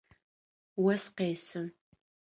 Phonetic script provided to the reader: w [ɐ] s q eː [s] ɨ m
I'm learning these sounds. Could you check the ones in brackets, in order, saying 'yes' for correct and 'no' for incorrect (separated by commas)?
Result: yes, yes